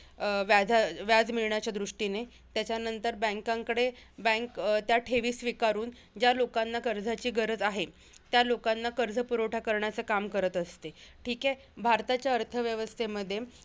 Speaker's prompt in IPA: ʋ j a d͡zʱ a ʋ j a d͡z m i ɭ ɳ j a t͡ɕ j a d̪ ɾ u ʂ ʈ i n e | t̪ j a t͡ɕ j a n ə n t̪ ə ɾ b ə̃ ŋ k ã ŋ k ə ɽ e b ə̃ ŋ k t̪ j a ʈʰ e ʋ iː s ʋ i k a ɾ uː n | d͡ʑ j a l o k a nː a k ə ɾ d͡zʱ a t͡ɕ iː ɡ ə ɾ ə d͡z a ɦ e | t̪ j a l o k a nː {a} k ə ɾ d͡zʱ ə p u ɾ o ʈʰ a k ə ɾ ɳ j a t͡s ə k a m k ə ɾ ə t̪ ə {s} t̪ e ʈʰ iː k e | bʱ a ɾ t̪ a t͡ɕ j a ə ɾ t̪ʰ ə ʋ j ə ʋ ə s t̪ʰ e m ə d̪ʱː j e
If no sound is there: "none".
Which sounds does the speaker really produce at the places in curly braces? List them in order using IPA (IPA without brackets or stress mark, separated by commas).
a, s